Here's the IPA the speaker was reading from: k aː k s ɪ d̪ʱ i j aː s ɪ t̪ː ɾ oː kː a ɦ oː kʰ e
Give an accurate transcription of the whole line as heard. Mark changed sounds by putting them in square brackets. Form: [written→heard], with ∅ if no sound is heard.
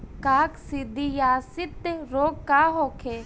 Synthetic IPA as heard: k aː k s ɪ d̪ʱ i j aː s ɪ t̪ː ɾ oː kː a ɦ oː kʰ e